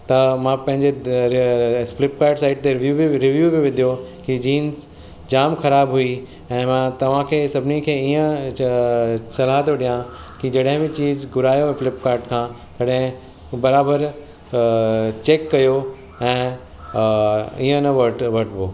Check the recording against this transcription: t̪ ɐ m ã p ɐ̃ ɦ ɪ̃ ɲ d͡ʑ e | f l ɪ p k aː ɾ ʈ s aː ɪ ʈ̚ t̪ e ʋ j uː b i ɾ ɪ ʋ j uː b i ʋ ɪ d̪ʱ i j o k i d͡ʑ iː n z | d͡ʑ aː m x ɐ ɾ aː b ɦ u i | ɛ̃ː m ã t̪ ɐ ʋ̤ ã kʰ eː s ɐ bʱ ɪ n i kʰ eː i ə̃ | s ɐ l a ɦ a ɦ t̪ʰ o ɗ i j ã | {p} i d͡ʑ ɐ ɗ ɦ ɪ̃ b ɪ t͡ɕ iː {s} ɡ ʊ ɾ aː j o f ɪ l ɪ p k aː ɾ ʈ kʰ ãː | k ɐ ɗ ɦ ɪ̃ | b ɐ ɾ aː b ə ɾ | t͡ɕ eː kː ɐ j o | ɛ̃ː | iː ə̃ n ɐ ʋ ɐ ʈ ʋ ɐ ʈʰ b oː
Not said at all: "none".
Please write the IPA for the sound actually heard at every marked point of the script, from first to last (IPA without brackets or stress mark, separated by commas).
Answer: k, z